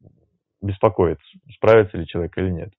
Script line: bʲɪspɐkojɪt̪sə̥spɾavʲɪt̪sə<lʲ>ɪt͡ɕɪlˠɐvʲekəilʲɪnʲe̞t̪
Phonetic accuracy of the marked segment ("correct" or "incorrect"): correct